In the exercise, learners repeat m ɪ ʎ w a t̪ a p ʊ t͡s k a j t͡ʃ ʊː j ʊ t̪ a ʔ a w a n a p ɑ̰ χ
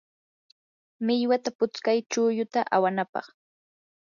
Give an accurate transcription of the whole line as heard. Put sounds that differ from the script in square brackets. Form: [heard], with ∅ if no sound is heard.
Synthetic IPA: m ɪ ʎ w a t̪ a p ʊ t͡s k a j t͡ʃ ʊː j ʊ t̪ a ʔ a w a n a p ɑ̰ χ